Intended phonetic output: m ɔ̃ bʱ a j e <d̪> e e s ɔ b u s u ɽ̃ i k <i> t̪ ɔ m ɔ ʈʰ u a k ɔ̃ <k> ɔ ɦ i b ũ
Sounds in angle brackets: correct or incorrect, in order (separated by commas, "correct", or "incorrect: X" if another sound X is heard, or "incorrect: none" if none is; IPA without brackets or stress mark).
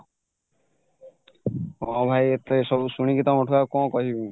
incorrect: t̪, correct, correct